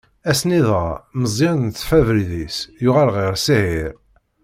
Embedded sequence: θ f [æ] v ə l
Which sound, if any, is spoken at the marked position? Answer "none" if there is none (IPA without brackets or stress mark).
æ